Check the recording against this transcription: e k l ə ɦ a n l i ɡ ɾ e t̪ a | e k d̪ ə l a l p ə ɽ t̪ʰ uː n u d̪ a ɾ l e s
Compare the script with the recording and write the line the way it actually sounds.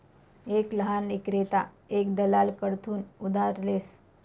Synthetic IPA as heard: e k l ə ɦ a n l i k ɾ e t̪ a | e k d̪ ə l a l k ə ɽ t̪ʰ uː n u d̪ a ɾ l e s

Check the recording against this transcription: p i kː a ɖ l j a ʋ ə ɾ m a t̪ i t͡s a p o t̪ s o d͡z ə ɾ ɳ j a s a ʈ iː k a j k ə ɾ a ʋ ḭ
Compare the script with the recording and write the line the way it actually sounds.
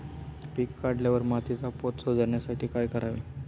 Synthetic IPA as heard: p i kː a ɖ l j a ʋ ə ɾ m a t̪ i t͡s a p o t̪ s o d͡z ə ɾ ɳ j a s a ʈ iː k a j k ə ɾ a ʋ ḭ

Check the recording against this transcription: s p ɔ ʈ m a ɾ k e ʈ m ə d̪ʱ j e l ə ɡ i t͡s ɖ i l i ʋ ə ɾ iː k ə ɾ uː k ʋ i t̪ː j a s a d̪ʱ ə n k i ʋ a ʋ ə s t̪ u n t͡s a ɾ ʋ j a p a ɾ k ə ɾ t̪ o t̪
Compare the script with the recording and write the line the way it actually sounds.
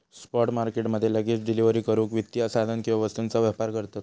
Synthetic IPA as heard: s p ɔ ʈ m a ɾ k e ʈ m ə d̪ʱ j e l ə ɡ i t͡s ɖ i l i ʋ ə ɾ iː k ə ɾ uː k ʋ i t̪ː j a s a d̪ʱ ə n k i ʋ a ʋ ə s t̪ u n t͡s a ʋ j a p a ɾ k ə ɾ t̪ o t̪

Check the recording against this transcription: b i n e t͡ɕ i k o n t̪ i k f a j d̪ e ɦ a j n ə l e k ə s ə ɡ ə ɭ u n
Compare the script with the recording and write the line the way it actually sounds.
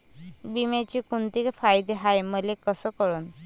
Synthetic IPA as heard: b i m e t͡ɕ i k u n t̪ i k f a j d̪ e ɦ a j m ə l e k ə s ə k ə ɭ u n

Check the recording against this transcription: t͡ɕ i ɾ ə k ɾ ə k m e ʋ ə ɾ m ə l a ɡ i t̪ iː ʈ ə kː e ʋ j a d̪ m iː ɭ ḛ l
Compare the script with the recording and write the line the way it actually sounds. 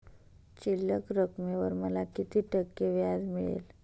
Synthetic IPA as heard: t͡ɕ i l ə k ɾ ə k m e ʋ ə ɾ m ə l a k i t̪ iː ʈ ə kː e ʋ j a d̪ m i ɭ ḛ l

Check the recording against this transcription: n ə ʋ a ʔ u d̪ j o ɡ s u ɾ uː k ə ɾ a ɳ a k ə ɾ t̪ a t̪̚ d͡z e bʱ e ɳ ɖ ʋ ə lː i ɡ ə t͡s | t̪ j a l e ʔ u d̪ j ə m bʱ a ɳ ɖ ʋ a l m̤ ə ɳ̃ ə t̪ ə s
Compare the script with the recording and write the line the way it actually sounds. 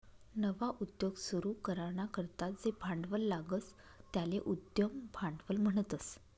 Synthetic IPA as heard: n ə ʋ a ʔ u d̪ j o ɡ s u ɾ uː k ə ɾ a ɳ a k ə ɾ t̪ a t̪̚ d͡z e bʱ a ɳ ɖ ʋ ə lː a ɡ ə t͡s | t̪ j a l e ʔ u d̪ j ə m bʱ a ɳ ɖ ʋ ə l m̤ ə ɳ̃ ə t̪ ə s

